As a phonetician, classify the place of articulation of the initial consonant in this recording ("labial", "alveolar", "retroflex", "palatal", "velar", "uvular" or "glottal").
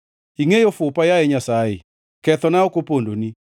velar